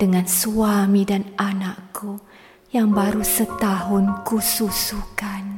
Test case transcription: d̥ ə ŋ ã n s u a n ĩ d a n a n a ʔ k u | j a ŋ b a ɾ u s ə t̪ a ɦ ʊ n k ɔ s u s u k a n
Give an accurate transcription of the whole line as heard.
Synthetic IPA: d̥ ə ŋ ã n s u a m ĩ d a n a n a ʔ k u | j a ŋ b a ɾ u s ə t̪ a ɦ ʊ n k u s u s u k a n